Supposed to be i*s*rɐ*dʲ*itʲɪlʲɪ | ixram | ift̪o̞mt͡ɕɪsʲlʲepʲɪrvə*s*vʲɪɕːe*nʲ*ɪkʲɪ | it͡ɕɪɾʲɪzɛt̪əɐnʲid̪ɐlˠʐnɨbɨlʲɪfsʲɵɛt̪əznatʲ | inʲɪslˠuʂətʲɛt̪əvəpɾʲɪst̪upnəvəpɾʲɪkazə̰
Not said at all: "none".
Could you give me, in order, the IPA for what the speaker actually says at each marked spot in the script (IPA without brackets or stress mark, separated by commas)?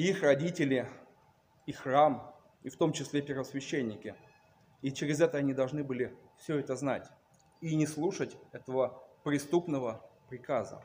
x, dʲ, s, nʲː